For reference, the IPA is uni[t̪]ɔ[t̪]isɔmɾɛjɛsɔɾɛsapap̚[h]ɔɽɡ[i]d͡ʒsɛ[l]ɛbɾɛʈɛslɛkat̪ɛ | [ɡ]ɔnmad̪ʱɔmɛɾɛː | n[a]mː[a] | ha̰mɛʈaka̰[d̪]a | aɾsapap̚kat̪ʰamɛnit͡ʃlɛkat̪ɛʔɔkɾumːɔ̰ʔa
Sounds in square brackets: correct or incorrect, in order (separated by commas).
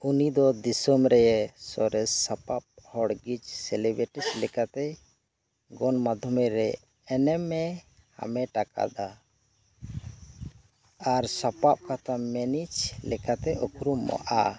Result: incorrect, incorrect, correct, correct, correct, correct, incorrect, incorrect, correct